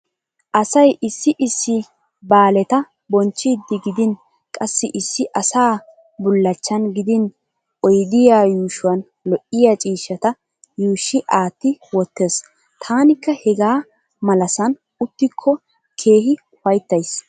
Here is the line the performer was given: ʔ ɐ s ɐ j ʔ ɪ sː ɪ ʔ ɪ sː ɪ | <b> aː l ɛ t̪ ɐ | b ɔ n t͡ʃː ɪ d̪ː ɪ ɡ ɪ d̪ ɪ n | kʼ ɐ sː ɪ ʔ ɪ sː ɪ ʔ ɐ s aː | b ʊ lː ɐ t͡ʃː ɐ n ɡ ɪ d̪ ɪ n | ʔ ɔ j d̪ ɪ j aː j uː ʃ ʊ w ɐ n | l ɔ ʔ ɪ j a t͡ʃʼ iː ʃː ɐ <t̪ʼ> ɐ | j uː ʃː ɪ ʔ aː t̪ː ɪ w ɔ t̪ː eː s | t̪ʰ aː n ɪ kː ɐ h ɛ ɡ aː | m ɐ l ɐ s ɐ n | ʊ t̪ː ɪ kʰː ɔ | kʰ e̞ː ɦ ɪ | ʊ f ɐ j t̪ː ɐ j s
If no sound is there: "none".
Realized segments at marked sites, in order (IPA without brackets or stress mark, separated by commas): b, t̪